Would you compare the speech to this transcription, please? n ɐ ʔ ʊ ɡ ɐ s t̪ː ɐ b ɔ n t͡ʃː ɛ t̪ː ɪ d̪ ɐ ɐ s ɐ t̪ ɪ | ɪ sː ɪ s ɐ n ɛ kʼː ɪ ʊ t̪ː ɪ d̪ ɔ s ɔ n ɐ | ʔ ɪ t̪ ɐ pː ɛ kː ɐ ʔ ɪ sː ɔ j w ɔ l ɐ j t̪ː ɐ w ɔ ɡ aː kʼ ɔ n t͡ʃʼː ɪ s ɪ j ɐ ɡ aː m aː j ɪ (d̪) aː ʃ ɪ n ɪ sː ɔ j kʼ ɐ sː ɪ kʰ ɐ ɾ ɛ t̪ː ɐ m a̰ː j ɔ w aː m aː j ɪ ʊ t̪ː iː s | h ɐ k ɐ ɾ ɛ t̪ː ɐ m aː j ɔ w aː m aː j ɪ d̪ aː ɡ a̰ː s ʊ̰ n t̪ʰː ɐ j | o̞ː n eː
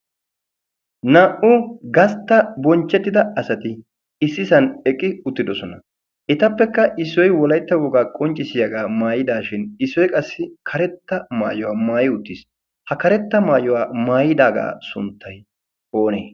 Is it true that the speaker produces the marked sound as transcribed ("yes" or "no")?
yes